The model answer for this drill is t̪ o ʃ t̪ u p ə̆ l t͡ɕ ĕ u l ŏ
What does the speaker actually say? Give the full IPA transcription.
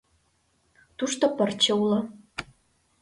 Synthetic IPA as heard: t̪ u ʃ t̪ o p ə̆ r t͡ɕ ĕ u l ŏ